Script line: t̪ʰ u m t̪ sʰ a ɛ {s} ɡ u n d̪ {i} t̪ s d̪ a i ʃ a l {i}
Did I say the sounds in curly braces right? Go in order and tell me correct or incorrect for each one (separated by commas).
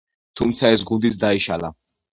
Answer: correct, correct, incorrect